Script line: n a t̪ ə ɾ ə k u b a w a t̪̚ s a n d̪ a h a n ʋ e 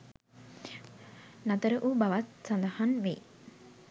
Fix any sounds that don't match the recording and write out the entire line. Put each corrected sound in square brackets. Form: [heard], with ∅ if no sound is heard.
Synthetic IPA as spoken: n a t̪ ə ɾ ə [ʔ] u b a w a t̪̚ s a n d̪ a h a n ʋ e